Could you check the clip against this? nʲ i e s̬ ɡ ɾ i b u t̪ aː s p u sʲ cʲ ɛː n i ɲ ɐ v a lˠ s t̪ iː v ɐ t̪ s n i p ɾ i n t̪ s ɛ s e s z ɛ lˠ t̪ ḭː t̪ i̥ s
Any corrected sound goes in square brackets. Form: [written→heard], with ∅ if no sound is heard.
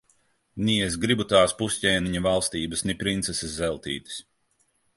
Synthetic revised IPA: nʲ i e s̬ ɡ ɾ i b u t̪ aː s p u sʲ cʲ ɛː n i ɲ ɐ v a lˠ s t̪ iː [v→b] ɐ [t̪→∅] s n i p ɾ i n t̪ s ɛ s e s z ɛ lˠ t̪ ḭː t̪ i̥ s